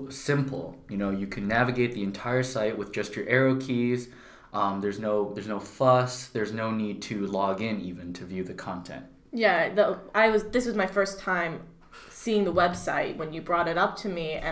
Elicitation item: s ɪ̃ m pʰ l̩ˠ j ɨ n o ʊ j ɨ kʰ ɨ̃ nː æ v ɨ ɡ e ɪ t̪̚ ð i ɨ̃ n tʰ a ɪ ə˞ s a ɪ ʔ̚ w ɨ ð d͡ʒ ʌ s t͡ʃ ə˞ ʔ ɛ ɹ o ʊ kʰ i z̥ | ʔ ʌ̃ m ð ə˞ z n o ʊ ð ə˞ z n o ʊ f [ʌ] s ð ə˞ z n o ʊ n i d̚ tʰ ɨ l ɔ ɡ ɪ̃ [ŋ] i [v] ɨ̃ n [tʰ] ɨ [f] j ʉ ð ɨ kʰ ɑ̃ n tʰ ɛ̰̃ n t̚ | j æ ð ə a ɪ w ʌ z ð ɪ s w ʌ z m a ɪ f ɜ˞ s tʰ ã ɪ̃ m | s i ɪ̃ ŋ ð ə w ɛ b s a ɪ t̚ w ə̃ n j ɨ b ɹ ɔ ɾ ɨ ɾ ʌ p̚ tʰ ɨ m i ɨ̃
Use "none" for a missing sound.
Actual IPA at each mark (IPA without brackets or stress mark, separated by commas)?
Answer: ʌ, n, v, tʰ, v